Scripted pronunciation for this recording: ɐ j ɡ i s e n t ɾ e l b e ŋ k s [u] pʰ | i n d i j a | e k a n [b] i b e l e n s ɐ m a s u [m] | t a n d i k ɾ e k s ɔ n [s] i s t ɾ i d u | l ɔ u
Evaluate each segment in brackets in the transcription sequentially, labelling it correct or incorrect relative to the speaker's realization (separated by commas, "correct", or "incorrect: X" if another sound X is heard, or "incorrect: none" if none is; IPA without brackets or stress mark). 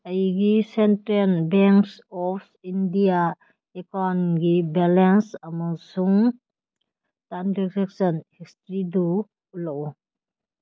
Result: incorrect: ɔ, incorrect: ɡ, incorrect: ŋ, incorrect: h